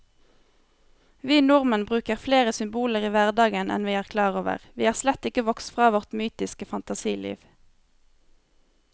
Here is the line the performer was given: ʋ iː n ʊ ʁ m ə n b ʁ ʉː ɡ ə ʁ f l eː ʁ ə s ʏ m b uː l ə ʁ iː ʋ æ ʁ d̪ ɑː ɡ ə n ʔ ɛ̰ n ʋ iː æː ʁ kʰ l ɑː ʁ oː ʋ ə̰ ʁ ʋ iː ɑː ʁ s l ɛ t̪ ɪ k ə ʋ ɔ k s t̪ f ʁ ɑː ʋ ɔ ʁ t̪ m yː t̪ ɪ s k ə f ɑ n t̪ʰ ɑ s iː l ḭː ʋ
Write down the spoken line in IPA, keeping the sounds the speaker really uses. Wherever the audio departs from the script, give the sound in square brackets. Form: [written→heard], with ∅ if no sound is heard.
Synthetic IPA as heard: ʋ iː n ʊ ʁ m ə n b ʁ ʉː [ɡ→k] ə ʁ f l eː ʁ ə s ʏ m b uː l ə ʁ iː ʋ æ ʁ d̪ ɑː ɡ ə n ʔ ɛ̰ n ʋ iː æː ʁ kʰ l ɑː ʁ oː ʋ ə̰ ʁ ʋ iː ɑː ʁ s l ɛ t̪ ɪ k ə ʋ ɔ k s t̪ f ʁ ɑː ʋ ɔ ʁ t̪ m yː t̪ ɪ s k ə f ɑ n [t̪ʰ→t̪] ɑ s iː l ḭː ʋ